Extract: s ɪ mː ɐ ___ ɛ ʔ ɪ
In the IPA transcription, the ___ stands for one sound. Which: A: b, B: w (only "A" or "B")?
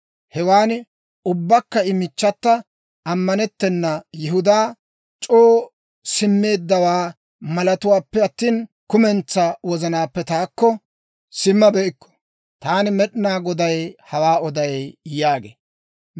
A